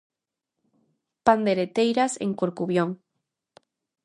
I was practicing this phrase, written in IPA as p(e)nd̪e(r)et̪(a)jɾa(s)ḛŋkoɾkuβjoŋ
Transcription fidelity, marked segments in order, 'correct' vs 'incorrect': incorrect: a, incorrect: ɾ, incorrect: e, correct

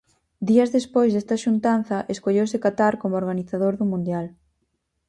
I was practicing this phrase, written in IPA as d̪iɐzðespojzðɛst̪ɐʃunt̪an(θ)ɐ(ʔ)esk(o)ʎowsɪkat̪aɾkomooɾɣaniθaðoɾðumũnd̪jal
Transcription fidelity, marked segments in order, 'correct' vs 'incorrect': correct, correct, correct

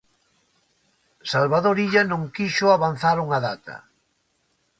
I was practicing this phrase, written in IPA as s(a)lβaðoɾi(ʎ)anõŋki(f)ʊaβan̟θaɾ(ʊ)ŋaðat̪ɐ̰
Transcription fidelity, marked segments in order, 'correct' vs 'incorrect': correct, correct, incorrect: ʃ, incorrect: u

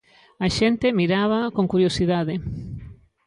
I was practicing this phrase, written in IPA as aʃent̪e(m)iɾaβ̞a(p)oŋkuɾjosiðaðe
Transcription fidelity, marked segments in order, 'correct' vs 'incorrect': correct, incorrect: k

